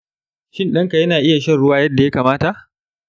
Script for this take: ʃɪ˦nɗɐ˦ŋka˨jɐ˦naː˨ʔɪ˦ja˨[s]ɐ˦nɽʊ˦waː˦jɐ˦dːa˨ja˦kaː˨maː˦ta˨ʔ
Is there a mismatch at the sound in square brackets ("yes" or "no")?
yes